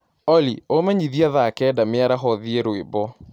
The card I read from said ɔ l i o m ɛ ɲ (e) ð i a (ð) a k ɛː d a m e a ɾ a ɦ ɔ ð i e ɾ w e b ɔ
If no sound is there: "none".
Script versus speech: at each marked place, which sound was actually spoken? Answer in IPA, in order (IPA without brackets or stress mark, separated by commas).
i, ð